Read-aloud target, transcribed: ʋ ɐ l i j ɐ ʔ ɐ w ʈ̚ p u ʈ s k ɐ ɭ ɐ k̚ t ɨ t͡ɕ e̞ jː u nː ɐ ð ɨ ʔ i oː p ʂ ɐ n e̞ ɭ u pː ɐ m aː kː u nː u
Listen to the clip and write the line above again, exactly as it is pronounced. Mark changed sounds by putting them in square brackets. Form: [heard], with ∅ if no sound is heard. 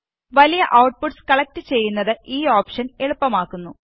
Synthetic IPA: ʋ ɐ l i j ɐ ʔ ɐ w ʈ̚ p u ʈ s k ɐ ɭ ɐ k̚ t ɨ t͡ɕ e̞ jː u nː ɐ ð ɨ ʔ [iː] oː p ʂ ɐ n e̞ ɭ u pː ɐ m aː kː u nː u